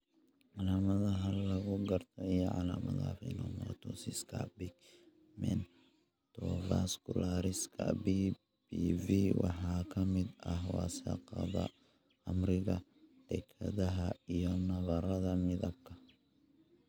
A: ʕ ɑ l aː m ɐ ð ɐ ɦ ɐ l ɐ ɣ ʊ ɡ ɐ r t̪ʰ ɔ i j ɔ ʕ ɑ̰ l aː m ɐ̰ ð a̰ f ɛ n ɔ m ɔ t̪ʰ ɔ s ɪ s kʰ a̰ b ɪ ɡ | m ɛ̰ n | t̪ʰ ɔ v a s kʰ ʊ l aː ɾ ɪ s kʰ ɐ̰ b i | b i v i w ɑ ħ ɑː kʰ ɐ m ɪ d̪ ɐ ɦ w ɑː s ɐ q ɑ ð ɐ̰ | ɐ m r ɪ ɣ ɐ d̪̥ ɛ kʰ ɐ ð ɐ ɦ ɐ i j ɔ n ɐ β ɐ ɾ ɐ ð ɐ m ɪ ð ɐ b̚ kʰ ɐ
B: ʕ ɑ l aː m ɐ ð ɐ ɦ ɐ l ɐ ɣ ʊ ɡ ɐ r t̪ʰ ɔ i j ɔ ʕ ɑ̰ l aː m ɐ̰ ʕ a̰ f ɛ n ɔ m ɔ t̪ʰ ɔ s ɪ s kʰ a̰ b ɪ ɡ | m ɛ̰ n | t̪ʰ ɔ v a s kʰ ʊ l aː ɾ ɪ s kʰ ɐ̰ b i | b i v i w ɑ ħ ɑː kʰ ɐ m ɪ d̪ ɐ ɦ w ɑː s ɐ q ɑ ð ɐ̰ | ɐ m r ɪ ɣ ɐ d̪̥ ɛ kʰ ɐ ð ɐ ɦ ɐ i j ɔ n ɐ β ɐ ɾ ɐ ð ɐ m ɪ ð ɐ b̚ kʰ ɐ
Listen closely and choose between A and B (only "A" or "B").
A